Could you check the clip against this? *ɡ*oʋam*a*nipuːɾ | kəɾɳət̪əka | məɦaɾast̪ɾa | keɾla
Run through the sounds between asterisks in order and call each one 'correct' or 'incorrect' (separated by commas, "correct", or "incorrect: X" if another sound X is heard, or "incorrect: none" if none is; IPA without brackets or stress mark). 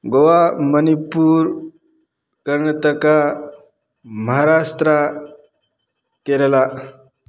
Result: correct, incorrect: ə